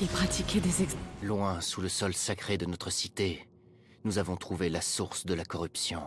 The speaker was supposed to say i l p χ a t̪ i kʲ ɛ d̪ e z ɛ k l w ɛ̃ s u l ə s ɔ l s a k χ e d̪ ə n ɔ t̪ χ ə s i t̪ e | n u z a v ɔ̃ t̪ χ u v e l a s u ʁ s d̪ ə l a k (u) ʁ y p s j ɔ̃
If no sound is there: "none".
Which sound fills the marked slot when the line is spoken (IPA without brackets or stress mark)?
ɔ